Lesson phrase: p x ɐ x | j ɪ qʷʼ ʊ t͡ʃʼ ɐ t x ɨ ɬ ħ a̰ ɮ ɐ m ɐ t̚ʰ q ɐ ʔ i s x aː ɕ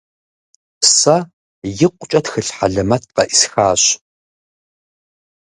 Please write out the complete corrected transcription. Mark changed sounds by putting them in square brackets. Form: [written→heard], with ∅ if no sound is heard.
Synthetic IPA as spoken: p [x→s] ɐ [x→∅] | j ɪ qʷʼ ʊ t͡ʃʼ ɐ t x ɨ ɬ ħ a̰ ɮ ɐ m ɐ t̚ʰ q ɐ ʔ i s x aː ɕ